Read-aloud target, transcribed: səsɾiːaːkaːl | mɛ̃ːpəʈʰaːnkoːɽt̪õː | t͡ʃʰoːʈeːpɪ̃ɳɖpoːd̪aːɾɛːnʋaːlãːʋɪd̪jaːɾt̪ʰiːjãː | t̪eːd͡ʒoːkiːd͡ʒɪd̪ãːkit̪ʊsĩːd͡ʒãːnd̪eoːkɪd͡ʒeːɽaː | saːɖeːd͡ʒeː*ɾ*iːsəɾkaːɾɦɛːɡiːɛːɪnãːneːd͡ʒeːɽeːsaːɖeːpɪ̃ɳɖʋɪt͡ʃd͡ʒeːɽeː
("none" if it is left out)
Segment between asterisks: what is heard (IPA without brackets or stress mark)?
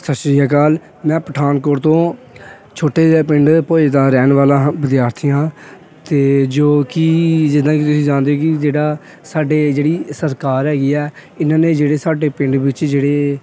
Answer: ɽ